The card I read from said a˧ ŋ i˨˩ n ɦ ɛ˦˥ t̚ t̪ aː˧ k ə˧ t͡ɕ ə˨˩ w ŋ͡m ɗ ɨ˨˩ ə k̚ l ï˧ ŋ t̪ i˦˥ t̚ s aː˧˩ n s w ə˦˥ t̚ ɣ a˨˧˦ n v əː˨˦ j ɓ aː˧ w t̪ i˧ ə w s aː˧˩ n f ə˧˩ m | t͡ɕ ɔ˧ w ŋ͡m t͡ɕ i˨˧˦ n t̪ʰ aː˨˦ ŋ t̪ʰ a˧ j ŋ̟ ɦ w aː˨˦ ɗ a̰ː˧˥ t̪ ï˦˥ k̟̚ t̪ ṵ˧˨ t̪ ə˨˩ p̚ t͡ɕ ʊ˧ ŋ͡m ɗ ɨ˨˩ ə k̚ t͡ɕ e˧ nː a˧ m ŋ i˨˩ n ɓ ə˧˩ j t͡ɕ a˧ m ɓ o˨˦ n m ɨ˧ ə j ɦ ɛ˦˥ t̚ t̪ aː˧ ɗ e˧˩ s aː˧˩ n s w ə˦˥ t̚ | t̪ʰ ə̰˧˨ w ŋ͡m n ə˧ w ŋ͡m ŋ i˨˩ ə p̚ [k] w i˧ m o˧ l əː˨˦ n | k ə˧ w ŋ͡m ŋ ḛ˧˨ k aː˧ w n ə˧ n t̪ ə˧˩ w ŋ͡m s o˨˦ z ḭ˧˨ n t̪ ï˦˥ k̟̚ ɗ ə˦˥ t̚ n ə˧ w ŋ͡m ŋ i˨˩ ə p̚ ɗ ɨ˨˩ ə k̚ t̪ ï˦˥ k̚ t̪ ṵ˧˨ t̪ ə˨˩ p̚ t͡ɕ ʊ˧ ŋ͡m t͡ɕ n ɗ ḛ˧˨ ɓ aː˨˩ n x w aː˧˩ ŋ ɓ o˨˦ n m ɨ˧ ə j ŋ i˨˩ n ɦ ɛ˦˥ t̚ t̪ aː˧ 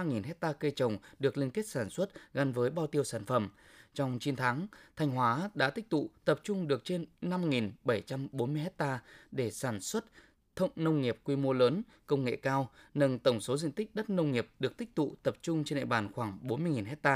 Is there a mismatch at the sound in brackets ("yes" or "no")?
no